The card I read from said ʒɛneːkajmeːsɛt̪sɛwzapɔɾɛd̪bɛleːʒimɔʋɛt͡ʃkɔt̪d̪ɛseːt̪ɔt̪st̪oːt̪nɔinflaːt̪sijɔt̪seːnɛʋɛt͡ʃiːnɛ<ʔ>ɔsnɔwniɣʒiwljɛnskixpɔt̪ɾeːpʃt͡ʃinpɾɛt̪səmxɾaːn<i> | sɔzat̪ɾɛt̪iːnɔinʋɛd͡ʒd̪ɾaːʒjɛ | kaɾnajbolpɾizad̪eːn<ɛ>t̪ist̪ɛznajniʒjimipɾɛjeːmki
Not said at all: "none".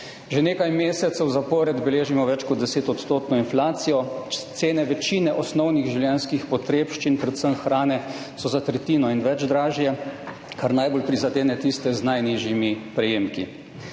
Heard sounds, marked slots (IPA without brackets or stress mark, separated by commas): ʔ, ɛ, ɛ